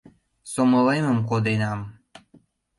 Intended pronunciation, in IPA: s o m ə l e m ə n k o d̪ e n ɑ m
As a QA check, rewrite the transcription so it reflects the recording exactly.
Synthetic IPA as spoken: s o m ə l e m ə m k o d̪ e n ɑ m